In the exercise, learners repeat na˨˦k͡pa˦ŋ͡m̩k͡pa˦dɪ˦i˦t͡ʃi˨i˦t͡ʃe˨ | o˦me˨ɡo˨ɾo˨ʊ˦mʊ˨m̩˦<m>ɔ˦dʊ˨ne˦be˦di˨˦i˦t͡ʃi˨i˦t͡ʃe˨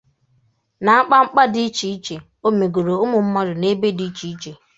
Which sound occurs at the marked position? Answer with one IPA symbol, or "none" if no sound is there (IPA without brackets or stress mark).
m